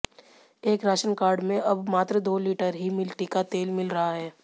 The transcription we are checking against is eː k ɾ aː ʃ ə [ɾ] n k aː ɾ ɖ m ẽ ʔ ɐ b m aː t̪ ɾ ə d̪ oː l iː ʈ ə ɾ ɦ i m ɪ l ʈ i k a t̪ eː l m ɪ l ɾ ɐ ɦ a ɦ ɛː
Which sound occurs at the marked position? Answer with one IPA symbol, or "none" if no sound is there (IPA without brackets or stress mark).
none